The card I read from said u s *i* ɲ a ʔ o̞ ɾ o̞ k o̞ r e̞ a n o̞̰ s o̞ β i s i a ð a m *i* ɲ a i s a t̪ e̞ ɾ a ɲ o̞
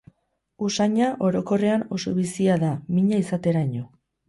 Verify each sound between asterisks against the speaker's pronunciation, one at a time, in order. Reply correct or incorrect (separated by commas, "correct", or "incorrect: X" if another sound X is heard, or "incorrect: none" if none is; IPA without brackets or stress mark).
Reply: incorrect: a, correct